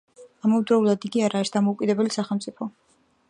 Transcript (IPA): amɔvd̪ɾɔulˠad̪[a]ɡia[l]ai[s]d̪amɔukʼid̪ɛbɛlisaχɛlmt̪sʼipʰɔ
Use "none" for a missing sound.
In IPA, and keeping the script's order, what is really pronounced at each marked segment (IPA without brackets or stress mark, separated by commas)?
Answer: i, ɾ, s